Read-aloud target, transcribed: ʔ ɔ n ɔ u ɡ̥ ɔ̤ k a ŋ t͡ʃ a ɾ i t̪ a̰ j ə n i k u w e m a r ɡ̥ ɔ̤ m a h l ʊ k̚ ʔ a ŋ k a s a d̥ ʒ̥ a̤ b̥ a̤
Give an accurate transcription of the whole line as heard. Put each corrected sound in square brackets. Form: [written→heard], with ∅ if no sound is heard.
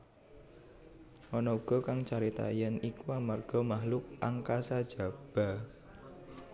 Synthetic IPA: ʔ ɔ n ɔ u ɡ̥ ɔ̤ k a ŋ t͡ʃ a ɾ i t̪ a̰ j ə n i k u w [e→a] m a r ɡ̥ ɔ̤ m a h l ʊ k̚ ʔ a ŋ k a s a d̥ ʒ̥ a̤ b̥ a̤